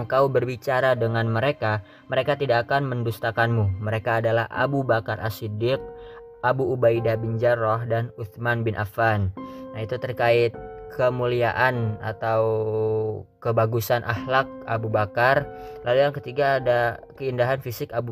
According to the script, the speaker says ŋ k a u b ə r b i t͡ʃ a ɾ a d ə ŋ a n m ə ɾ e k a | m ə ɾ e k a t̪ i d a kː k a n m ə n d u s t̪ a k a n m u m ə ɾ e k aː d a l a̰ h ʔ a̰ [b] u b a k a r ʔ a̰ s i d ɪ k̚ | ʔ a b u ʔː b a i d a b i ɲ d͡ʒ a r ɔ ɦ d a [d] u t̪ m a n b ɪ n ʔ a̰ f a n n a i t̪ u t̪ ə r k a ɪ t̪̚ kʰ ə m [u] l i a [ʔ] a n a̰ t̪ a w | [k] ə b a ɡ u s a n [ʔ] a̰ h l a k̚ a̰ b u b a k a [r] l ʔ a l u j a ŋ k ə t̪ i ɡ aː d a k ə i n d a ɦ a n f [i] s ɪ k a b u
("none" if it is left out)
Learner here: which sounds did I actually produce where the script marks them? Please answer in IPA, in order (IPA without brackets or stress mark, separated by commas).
b, n, u, ʔ, k, ʔ, r, i